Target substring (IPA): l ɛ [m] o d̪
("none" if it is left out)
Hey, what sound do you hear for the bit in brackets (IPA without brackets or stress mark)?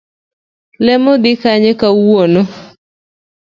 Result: m